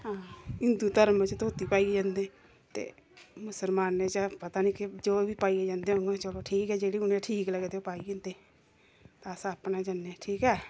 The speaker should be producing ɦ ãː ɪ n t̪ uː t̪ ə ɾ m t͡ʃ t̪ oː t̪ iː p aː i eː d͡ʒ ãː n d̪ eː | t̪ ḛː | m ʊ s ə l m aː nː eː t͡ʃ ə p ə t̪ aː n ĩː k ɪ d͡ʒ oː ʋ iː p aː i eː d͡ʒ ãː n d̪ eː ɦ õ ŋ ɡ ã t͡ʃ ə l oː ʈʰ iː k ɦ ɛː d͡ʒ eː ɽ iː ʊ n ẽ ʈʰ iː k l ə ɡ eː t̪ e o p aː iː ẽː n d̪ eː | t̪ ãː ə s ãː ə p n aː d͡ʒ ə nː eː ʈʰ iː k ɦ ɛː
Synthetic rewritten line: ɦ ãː ɪ n d̪ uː t̪ ə ɾ m t͡ʃ t̪ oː t̪ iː p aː i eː d͡ʒ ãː n d̪ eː | t̪ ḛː | m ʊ s ə l m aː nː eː t͡ʃ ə p ə t̪ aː n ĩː k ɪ d͡ʒ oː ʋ iː p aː i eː d͡ʒ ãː n d̪ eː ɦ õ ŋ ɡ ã t͡ʃ ə l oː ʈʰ iː k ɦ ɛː d͡ʒ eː ɽ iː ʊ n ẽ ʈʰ iː k l ə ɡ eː t̪ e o p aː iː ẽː n d̪ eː | t̪ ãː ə s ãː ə p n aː d͡ʒ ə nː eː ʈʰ iː k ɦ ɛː